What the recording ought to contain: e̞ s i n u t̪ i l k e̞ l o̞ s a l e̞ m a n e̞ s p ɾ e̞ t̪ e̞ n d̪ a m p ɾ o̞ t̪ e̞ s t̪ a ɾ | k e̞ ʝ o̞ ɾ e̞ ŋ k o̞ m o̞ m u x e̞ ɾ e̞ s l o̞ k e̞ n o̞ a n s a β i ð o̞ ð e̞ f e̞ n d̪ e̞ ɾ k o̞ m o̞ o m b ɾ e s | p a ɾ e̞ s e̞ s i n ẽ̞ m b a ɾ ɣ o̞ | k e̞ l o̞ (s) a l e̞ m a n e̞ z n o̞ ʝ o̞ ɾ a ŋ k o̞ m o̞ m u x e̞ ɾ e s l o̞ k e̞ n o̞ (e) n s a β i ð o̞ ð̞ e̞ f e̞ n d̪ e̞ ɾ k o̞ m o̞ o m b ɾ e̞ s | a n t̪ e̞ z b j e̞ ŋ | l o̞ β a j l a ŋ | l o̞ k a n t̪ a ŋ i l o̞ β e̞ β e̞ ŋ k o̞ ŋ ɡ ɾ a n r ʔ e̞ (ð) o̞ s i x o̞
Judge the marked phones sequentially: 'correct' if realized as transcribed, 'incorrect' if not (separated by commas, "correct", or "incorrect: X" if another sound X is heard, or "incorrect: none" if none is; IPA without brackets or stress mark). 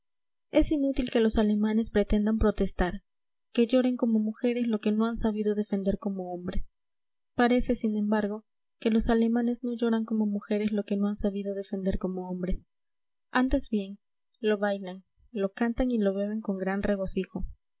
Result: correct, incorrect: a, incorrect: ɣ